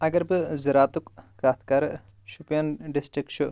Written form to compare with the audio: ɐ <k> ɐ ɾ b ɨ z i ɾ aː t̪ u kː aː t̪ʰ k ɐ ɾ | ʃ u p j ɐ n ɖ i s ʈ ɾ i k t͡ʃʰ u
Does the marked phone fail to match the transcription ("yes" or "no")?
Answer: yes